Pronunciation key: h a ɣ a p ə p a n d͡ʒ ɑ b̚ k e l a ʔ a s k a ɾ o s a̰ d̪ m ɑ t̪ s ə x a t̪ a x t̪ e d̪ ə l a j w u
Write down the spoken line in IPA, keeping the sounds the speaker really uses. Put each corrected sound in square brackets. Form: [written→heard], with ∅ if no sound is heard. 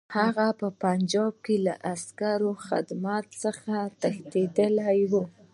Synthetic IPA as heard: h a ɣ a p ə p a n d͡ʒ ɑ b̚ k e l a ʔ a s k a ɾ o [s→x] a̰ d̪ m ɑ t̪ s ə x a t̪ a x t̪ e d̪ ə l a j w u